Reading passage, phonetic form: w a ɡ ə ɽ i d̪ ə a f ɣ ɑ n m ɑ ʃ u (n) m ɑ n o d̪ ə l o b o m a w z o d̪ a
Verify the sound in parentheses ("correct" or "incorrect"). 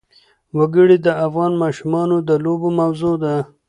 incorrect